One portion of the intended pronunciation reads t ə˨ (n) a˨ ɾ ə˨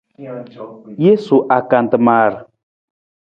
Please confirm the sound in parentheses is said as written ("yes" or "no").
no